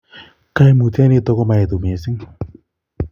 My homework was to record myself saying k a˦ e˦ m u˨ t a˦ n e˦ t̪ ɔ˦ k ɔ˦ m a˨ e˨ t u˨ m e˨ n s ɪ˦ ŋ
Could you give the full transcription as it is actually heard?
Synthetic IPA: k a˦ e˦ m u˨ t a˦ n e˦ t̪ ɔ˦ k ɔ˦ m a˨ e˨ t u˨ m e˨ s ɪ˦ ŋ